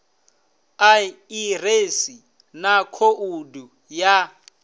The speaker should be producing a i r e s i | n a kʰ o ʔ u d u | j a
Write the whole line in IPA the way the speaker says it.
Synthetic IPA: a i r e s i | n a kʰ o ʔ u d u | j a